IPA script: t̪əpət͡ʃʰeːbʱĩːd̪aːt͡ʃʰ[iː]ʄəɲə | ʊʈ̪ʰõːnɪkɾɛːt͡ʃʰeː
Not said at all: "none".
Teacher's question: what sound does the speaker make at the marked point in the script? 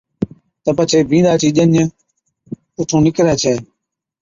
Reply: iː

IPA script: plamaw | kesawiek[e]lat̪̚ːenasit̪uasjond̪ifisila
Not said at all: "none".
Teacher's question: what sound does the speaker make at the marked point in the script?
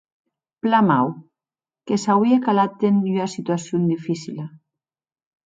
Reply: a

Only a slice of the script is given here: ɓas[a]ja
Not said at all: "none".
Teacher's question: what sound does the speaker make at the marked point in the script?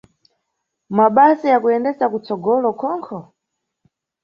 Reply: i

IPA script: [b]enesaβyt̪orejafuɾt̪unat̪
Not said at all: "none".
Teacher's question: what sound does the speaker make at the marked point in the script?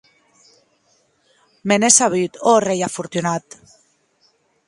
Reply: m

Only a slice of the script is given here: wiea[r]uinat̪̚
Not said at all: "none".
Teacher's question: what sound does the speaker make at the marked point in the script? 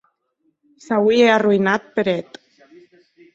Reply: r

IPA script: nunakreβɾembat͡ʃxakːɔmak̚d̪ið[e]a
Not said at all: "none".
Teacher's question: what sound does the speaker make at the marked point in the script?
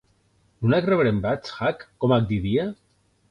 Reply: i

